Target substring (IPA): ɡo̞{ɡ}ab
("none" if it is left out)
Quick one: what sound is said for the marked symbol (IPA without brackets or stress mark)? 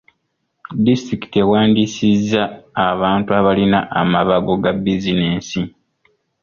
ɡ